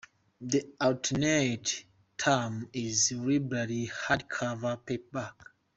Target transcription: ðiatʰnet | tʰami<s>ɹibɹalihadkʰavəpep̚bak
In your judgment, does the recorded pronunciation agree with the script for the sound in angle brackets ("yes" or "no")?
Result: no